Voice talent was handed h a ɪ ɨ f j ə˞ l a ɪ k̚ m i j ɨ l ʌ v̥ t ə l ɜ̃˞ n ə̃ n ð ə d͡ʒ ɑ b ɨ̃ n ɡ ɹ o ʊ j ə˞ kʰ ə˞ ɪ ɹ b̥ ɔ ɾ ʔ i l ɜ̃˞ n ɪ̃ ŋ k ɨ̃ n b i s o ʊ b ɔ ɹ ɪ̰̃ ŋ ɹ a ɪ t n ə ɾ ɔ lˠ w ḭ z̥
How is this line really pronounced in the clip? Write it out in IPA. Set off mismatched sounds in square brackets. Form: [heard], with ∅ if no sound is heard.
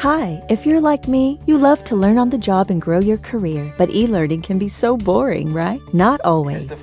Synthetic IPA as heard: h a ɪ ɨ f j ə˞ l a ɪ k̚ m i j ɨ l ʌ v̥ [tʰ] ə l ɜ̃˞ n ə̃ n ð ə d͡ʒ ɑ b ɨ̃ n ɡ ɹ o ʊ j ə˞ kʰ ə˞ ɪ ɹ b̥ [ʌ] ɾ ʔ i l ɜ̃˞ n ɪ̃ ŋ [kʰ] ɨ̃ n b i s o ʊ b ɔ ɹ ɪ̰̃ ŋ ɹ a ɪ t n ə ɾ ɔ lˠ w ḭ z̥